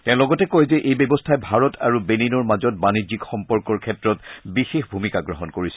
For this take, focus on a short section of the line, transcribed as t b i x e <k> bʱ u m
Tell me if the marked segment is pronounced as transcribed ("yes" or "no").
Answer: no